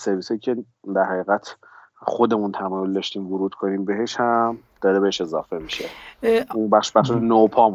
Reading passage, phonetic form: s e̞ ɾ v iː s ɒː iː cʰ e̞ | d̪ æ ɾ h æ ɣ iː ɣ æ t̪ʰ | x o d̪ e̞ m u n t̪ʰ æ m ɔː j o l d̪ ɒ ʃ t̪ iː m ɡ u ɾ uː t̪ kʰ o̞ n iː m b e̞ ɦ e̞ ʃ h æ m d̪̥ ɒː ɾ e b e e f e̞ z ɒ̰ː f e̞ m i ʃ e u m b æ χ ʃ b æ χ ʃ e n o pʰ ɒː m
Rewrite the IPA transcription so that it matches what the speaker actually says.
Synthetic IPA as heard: s e̞ ɾ v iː s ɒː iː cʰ e̞ | d̪ æ ɾ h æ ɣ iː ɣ æ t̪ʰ | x o d̪ e̞ m u n t̪ʰ æ m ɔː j o l d̪ ɒ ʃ t̪ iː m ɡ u ɾ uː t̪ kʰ o̞ n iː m b e̞ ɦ e̞ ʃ h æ m d̪̥ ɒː ɾ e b e e ʃ e̞ z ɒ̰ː f e̞ m i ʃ e u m b æ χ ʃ b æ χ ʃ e n o pʰ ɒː m